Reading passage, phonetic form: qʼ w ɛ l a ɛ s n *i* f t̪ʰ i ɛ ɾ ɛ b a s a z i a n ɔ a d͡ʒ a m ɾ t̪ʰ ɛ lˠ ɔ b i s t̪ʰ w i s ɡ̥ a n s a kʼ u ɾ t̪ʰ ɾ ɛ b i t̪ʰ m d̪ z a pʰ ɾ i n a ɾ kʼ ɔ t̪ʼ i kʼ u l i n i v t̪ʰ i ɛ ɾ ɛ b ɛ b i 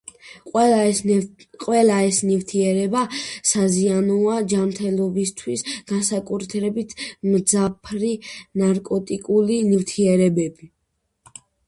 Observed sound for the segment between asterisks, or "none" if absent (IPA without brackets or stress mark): i